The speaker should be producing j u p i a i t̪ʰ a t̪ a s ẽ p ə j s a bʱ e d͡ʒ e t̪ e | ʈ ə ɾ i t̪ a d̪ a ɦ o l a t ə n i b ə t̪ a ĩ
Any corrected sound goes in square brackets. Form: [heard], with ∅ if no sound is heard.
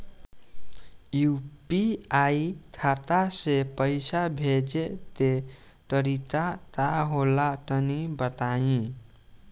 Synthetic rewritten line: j u p i a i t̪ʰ a t̪ a s [e] p ə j s a bʱ e d͡ʒ e t̪ e | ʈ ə ɾ i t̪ a [t̪] a ɦ o l a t ə n i b ə t̪ a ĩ